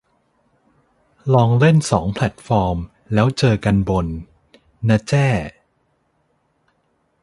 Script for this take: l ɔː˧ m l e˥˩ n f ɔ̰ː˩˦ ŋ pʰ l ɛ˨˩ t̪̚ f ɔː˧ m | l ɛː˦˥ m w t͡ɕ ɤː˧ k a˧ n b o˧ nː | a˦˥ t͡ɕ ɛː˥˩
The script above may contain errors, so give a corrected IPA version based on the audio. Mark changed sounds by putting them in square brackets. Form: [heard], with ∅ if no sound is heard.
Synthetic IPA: l ɔː˧ [ŋ] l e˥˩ n [s] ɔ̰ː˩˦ ŋ pʰ l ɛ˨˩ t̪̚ f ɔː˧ m | l ɛː˦˥ [∅] w t͡ɕ ɤː˧ k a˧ n b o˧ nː | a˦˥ t͡ɕ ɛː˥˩